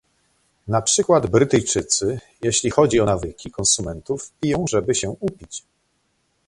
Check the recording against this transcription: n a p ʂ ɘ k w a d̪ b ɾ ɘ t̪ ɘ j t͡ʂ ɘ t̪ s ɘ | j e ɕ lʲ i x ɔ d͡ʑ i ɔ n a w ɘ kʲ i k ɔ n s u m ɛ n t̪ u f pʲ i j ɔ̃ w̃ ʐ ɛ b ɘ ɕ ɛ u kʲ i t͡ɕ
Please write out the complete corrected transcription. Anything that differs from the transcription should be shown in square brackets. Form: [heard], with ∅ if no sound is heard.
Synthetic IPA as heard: n a p ʂ ɘ k w a d̪ b ɾ ɘ t̪ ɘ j t͡ʂ ɘ t̪ s ɘ | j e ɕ lʲ i x ɔ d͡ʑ i ɔ n a [v] ɘ kʲ i k ɔ n s u m ɛ n t̪ u f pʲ i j ɔ̃ w̃ ʐ ɛ b ɘ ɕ ɛ u [pʲ] i t͡ɕ